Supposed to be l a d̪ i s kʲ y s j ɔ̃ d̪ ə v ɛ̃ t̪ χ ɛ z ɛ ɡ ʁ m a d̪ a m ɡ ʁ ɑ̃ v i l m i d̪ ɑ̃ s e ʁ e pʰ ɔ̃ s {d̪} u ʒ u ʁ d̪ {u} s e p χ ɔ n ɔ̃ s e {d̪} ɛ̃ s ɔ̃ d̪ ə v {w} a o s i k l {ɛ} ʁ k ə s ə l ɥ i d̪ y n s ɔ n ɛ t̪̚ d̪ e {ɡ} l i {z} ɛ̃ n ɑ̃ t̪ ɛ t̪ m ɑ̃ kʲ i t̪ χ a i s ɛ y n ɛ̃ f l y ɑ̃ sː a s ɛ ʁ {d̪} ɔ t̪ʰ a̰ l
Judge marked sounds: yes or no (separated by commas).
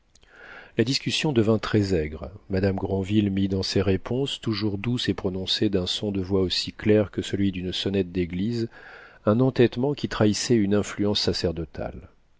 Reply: no, yes, yes, yes, yes, yes, yes, yes